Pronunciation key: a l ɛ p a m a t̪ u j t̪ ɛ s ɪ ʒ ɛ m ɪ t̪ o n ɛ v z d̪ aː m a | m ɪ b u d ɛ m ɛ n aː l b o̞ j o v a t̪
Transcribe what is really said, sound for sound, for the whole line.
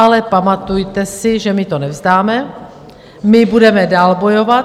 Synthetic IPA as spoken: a l ɛ p a m a t̪ u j t̪ ɛ s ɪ ʒ ɛ m ɪ t̪ o n ɛ v z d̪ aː m ɛ | m ɪ b u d ɛ m ɛ d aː l b o̞ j o v a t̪